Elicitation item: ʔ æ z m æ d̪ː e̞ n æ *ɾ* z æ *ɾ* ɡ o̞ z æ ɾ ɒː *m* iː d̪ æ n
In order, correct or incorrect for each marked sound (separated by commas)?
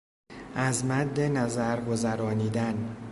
incorrect, correct, incorrect